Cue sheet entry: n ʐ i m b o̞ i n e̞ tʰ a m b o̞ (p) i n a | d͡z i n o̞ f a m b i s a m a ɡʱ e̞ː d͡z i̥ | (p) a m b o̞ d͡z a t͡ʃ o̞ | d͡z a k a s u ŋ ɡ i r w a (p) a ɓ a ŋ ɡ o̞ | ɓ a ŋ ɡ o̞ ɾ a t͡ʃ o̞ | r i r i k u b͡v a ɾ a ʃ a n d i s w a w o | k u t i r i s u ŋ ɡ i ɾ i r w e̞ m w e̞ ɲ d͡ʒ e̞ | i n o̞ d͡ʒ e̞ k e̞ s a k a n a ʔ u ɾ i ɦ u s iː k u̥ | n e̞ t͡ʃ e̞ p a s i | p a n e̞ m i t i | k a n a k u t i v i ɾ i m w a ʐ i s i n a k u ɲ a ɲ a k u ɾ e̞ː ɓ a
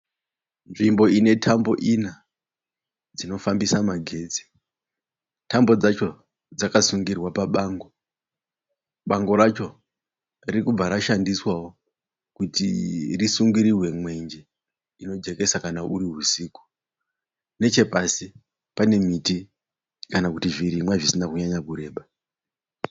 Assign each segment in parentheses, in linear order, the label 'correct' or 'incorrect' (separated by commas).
incorrect, incorrect, correct